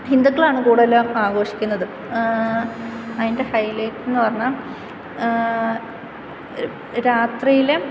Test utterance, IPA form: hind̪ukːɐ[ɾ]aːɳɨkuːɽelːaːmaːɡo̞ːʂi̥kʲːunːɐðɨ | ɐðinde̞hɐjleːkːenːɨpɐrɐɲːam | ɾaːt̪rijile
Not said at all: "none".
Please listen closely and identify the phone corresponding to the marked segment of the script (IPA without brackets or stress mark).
ɭ